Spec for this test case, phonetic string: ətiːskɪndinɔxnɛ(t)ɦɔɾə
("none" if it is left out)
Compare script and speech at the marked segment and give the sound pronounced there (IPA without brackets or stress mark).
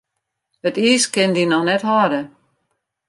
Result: t